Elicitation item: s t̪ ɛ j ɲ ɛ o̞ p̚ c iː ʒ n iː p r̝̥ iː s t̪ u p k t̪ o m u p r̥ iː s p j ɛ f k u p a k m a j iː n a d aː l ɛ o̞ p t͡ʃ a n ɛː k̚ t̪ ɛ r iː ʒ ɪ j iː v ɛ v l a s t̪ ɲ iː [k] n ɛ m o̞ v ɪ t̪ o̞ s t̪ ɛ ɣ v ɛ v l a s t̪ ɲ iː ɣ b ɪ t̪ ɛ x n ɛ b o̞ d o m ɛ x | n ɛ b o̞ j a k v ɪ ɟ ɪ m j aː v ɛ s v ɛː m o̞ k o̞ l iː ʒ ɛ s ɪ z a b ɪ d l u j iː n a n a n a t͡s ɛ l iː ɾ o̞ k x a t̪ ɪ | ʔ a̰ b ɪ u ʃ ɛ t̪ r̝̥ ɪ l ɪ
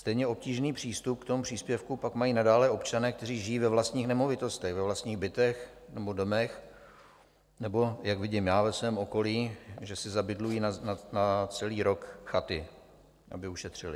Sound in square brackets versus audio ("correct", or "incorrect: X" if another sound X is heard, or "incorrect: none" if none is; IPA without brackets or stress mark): incorrect: x